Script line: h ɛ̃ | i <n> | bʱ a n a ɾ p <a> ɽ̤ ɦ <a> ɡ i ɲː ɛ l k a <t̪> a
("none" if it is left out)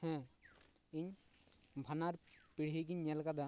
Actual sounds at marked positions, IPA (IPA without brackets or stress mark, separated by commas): ɲ, i, i, d̪